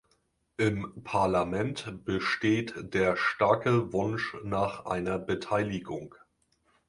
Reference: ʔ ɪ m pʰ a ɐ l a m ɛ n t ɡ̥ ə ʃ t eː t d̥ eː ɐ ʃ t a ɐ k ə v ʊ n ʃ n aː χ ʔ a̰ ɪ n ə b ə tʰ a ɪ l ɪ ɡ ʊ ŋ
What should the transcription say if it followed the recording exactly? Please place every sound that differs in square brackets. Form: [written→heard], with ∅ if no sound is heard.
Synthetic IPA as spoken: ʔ ɪ m pʰ a ɐ l a m ɛ n t [ɡ̥→b̥] ə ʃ t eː t d̥ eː ɐ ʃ t a ɐ k ə v ʊ n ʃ n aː χ ʔ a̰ ɪ n [ə→ɐ] b ə tʰ a ɪ l ɪ ɡ ʊ ŋ

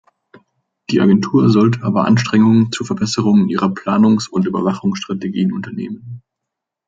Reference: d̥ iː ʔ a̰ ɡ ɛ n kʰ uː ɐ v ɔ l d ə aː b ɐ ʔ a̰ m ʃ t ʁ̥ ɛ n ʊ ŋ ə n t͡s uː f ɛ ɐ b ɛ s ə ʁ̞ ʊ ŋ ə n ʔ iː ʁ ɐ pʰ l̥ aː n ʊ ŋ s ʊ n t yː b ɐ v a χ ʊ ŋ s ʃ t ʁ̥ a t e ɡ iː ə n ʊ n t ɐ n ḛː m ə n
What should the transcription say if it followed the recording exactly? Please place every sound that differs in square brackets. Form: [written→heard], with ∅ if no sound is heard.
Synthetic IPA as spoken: d̥ iː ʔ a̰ ɡ ɛ n [kʰ→tʰ] uː ɐ [v→z] ɔ l [d→t] ə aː b ɐ ʔ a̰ [m→n] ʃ t ʁ̥ ɛ [n→ŋ] ʊ ŋ ə n t͡s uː f ɛ ɐ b ɛ s ə ʁ̞ ʊ ŋ ə n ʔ iː ʁ ɐ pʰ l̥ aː n ʊ ŋ s ʊ n t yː b ɐ v a χ ʊ ŋ s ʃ t ʁ̥ a t e ɡ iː ə n ʊ n t ɐ n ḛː m ə n

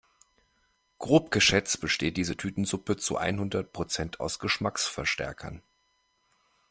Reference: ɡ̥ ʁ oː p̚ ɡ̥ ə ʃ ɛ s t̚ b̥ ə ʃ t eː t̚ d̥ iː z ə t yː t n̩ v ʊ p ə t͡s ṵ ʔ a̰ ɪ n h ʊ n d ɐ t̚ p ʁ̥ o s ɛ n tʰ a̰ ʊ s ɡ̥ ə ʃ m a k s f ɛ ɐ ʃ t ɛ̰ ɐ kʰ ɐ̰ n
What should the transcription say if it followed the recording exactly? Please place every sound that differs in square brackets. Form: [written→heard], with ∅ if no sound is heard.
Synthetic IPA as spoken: ɡ̥ ʁ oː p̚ ɡ̥ ə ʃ ɛ [s→t͡s] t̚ b̥ ə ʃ t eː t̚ d̥ iː z ə [t→tʰ] yː t n̩ [v→z] ʊ p ə t͡s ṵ ʔ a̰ ɪ n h ʊ n d ɐ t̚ p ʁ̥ o [s→t͡s] ɛ n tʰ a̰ ʊ s ɡ̥ ə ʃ m a k s f ɛ ɐ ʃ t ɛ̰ ɐ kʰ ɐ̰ n

